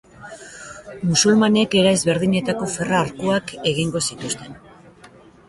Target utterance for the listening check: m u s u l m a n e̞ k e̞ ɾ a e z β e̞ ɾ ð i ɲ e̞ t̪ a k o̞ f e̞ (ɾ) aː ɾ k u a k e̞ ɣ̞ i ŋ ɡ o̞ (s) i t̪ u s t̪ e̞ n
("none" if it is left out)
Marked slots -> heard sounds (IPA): r, s

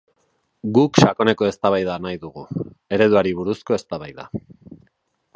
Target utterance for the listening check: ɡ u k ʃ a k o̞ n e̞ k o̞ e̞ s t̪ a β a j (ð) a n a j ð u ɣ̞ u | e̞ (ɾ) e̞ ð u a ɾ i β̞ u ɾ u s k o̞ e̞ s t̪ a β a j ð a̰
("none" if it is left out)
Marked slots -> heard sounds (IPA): ð, ɾ

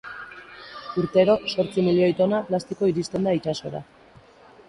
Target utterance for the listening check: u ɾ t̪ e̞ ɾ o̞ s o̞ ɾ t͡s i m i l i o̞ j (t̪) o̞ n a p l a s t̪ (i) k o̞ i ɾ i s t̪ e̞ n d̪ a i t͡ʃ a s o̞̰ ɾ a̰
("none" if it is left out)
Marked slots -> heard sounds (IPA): t̪, i

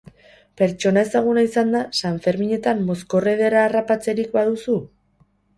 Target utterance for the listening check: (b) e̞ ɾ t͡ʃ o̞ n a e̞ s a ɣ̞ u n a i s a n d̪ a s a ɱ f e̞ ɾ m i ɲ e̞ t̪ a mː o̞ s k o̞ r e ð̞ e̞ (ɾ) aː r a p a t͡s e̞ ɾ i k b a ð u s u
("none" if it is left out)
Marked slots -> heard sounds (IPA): p, ɾ

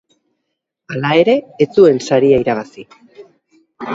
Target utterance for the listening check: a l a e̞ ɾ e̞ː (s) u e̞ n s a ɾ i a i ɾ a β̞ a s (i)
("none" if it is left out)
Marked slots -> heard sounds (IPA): t͡s, i

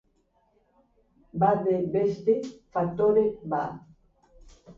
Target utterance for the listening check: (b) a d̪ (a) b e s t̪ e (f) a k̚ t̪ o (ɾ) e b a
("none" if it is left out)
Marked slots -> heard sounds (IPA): b, e, f, ɾ

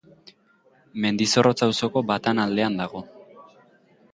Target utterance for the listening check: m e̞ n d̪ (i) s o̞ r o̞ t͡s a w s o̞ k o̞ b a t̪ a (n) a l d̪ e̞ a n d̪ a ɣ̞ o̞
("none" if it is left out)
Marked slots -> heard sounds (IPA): i, n

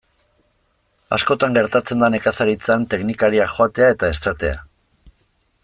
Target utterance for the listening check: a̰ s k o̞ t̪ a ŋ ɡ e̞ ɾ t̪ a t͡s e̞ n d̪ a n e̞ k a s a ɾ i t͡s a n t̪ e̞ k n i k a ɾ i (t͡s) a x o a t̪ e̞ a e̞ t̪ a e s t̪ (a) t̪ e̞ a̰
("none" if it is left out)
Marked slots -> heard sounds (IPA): none, a

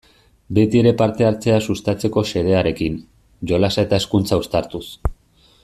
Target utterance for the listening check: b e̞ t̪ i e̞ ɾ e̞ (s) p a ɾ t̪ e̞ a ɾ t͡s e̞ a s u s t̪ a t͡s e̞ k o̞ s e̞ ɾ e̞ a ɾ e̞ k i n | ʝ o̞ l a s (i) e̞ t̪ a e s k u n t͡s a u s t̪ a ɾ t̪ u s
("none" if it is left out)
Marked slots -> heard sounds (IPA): none, a

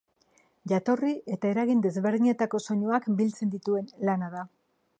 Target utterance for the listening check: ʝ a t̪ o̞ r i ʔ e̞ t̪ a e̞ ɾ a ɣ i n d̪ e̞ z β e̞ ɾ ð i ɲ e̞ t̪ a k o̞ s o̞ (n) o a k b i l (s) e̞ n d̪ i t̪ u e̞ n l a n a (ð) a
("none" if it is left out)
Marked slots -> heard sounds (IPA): ɲ, t͡s, ð

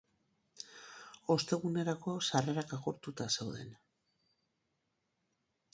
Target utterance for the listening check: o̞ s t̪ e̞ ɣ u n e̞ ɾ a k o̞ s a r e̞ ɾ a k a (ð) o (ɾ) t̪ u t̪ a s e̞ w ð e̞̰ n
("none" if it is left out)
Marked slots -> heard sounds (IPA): ɣ, ɾ

